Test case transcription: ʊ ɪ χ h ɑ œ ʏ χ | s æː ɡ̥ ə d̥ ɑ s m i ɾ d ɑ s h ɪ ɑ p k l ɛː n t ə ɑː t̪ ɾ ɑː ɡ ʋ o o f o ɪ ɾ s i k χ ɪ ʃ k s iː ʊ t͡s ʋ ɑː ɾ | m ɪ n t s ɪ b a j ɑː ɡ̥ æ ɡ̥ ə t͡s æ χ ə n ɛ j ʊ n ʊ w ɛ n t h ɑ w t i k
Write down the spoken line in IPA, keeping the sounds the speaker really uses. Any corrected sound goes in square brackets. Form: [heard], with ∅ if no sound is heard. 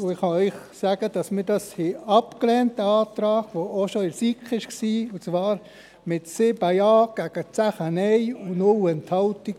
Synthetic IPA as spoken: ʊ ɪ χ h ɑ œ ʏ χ | s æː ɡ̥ ə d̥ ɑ s m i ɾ d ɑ s h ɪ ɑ p k l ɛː n t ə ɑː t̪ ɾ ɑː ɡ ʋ o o [ʃ] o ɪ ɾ s i k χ ɪ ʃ k s iː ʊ t͡s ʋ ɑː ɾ | m ɪ [∅] t s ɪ b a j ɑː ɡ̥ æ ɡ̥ ə t͡s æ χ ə n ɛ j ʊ n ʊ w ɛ n t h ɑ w t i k